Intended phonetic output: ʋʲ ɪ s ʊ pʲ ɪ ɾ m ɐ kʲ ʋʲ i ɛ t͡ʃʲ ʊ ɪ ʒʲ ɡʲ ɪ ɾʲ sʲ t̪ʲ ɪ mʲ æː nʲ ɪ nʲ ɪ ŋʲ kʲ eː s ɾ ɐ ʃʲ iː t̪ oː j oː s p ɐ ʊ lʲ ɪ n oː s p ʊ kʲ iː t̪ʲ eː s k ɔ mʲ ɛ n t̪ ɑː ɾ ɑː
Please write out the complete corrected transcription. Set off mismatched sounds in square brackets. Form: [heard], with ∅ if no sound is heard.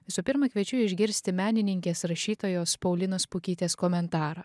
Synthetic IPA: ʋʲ ɪ s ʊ pʲ ɪ ɾ m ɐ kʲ ʋʲ i ɛ t͡ʃʲ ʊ ɪ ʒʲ ɡʲ ɪ ɾʲ sʲ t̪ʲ ɪ mʲ æː nʲ ɪ nʲ ɪ ŋʲ kʲ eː s ɾ ɐ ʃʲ iː t̪ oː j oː s p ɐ ʊ lʲ ɪ n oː s p ʊ kʲ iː t̪ʲ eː s k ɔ mʲ ɛ n t̪ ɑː ɾ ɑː